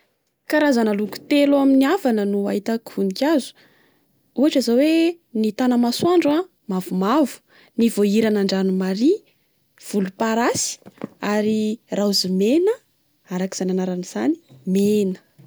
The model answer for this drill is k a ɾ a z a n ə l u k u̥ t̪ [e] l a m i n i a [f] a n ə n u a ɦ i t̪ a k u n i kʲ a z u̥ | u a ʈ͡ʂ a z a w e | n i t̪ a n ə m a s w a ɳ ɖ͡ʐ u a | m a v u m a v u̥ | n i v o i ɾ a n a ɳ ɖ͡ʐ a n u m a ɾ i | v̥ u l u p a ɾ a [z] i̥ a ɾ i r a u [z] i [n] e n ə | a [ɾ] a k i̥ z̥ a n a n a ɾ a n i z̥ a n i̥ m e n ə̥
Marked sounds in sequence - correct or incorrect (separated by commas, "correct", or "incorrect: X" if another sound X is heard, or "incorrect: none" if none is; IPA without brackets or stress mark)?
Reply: correct, incorrect: v, incorrect: s, correct, incorrect: m, correct